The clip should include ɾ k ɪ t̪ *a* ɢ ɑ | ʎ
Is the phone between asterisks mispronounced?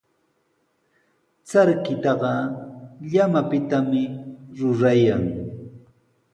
yes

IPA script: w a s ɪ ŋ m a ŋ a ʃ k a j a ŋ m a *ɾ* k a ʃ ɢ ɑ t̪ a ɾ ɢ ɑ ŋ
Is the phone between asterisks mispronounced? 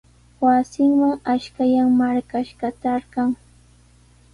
no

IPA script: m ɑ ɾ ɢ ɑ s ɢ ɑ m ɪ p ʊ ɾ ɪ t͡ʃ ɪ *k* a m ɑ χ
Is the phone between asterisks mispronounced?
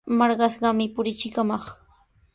no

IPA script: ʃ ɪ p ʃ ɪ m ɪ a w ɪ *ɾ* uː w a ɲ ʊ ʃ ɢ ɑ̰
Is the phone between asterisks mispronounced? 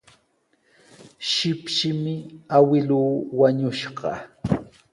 yes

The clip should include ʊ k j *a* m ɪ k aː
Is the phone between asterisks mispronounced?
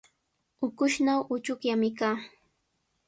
no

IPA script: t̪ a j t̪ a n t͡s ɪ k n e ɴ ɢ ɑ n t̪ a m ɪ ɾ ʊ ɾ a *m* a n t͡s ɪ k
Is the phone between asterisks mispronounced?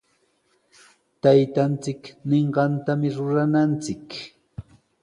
yes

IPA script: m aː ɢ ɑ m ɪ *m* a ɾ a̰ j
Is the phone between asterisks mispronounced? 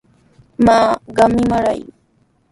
no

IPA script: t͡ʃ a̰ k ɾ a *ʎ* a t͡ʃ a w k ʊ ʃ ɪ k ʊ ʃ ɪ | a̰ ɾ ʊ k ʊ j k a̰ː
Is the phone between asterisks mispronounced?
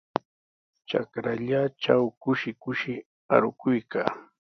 no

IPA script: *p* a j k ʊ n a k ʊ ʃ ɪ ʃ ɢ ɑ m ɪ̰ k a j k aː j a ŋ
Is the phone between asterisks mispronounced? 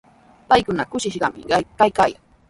no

